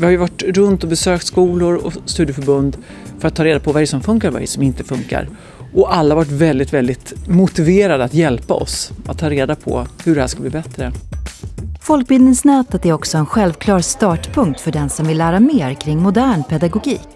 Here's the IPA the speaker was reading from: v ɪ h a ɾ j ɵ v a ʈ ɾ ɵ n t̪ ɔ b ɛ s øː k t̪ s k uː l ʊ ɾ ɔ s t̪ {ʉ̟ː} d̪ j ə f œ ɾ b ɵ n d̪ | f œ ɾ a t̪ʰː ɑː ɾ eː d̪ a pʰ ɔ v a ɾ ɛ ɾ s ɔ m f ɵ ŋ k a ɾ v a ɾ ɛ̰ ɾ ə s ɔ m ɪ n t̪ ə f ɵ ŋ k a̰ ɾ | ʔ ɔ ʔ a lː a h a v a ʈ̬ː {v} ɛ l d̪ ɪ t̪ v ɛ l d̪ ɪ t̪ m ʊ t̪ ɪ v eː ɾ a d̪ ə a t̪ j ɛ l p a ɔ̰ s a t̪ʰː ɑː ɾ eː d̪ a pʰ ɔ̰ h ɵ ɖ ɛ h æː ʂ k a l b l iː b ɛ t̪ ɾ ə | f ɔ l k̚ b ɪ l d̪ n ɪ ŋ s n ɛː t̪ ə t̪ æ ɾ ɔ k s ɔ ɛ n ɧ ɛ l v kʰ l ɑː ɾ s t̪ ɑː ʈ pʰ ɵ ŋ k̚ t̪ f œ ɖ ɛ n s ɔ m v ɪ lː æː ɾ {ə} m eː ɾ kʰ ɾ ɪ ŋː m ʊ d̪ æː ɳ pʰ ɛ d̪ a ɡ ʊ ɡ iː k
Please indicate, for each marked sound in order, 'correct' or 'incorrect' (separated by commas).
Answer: incorrect, correct, incorrect